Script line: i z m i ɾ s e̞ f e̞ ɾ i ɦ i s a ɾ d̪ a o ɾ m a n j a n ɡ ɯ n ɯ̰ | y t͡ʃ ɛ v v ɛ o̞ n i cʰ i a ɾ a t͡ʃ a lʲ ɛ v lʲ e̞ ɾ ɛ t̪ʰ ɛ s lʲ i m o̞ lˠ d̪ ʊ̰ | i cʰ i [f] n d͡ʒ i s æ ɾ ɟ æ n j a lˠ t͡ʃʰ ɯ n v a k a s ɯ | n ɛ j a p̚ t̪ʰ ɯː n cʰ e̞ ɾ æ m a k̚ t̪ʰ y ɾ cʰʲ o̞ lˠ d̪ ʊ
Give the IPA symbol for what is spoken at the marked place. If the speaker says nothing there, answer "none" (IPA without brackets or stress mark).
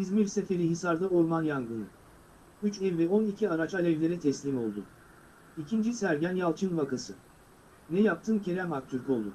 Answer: none